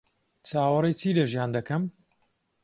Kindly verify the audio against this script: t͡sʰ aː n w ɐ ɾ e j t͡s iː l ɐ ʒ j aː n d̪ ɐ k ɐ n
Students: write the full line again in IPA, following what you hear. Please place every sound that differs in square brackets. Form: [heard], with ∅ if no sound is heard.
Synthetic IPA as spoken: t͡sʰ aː [∅] w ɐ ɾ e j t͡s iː l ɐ ʒ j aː n d̪ ɐ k ɐ [m]